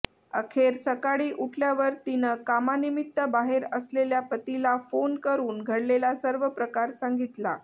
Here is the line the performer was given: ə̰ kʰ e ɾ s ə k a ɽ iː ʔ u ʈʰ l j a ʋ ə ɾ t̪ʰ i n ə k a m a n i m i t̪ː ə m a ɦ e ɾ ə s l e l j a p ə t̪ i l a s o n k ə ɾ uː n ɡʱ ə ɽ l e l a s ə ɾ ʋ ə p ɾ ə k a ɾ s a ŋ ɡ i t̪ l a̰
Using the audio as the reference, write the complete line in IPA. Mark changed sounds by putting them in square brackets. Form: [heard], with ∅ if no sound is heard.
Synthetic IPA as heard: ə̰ kʰ e ɾ s ə k a ɽ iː ʔ u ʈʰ l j a ʋ ə ɾ [t̪] i n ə k a m a n i m i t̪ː ə [b] a ɦ e ɾ ə s l e l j a p ə t̪ i l a [f] o n k ə ɾ uː n ɡʱ ə ɽ l e l a s ə ɾ ʋ ə p ɾ ə k a ɾ s a ŋ ɡ i t̪ l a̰